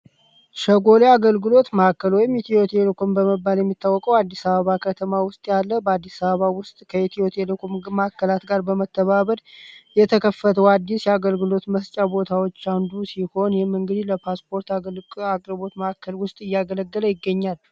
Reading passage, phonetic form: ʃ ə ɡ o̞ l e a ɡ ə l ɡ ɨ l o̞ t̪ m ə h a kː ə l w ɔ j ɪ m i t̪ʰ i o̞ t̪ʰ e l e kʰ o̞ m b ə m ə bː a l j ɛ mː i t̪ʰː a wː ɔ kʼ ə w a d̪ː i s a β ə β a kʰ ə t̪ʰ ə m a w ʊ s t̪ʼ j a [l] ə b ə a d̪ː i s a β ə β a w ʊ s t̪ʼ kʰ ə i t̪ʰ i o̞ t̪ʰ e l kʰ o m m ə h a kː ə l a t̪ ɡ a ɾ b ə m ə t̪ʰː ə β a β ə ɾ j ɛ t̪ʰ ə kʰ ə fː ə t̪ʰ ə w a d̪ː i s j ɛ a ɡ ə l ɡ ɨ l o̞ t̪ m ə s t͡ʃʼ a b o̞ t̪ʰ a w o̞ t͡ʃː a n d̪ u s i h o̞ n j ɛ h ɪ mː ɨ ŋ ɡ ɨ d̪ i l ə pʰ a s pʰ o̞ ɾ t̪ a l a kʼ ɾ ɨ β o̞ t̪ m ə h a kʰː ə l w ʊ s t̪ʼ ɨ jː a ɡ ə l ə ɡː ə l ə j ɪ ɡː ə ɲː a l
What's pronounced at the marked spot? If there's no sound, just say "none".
lː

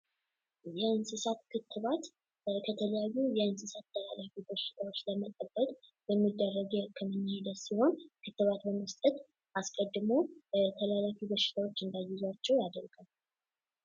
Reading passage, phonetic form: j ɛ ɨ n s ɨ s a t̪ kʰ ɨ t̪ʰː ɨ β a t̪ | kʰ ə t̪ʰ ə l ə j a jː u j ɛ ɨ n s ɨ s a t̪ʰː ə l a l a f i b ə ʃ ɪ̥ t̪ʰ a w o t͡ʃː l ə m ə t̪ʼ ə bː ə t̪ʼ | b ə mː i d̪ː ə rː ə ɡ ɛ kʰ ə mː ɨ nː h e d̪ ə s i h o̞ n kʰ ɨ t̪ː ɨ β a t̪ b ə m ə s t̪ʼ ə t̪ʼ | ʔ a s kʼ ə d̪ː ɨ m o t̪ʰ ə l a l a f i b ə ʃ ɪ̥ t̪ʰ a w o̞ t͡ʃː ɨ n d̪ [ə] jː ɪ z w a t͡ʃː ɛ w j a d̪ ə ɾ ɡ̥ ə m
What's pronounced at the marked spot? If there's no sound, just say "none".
a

